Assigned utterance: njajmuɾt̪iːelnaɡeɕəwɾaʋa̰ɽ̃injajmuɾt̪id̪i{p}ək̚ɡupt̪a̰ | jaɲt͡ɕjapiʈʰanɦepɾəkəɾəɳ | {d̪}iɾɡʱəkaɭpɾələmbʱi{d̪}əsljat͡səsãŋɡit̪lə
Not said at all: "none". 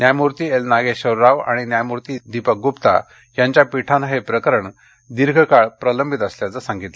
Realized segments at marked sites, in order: p, d̪, t̪

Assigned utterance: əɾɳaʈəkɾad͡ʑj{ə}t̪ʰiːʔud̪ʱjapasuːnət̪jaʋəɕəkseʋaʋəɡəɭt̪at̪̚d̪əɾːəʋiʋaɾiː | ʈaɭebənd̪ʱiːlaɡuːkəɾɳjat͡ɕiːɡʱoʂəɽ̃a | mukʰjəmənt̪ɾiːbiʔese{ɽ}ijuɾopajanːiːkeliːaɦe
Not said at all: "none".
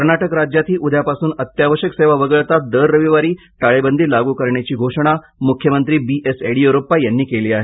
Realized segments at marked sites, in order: a, ɽ

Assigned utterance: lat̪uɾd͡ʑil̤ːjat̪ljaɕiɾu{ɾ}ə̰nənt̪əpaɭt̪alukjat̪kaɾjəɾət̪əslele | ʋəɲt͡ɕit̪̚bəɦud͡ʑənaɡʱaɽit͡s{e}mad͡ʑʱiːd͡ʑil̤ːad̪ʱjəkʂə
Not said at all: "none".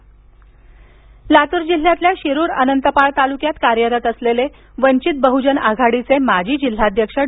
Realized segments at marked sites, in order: ɾ, e

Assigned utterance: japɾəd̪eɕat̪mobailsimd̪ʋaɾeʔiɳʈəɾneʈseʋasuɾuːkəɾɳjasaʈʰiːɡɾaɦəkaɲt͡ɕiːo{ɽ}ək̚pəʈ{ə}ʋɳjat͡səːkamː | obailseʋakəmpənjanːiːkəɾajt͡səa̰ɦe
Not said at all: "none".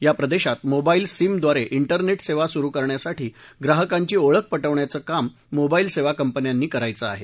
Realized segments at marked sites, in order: ɭ, ə

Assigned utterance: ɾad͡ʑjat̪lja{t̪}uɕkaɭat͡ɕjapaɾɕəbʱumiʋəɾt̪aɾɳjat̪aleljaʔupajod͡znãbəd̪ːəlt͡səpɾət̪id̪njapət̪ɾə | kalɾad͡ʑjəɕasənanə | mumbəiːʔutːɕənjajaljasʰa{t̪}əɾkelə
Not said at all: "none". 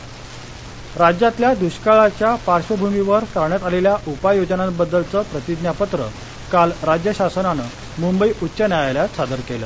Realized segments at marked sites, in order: d̪, d̪

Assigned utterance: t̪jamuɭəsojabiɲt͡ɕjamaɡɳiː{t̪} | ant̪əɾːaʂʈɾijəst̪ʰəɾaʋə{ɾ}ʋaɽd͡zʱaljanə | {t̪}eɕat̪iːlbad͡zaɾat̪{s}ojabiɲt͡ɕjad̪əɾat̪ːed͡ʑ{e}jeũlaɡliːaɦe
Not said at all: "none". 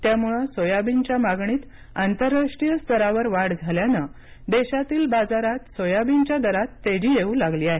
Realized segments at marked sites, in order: t̪, ɾ, d̪, s, i

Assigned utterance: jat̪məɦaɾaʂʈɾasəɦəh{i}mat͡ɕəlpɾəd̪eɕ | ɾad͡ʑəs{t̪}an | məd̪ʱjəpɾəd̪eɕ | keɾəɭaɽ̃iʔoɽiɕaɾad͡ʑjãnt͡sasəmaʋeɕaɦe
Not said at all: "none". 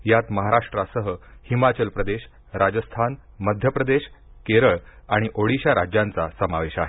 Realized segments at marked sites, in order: i, t̪ʰ

